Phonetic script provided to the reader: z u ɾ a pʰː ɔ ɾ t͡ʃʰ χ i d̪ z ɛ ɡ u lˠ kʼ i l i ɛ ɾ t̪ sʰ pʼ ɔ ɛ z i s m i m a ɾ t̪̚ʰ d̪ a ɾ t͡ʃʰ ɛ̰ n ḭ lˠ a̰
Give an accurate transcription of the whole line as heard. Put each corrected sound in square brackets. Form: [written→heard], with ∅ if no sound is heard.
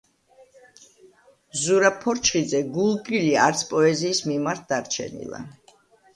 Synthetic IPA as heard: z u ɾ a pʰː ɔ ɾ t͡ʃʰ χ i d̪ z ɛ ɡ u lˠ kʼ i l i [ɛ→a] ɾ t̪ sʰ pʼ ɔ ɛ z [i→iː] s m i m a ɾ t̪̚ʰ d̪ a ɾ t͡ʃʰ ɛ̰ n ḭ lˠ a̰